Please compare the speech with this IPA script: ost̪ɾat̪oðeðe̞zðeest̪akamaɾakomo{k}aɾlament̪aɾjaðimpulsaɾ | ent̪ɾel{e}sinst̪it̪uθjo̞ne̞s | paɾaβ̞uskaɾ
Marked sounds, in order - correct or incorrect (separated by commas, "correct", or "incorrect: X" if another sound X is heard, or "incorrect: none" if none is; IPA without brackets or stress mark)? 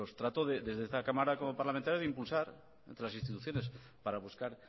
incorrect: p, incorrect: a